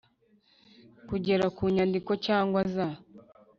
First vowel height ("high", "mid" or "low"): high